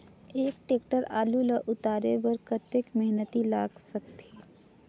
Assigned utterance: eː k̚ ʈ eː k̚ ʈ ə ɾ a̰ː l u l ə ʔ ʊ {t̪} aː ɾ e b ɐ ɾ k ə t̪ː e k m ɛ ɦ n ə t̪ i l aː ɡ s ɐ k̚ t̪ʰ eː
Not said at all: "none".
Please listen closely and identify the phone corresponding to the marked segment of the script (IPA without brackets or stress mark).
t̪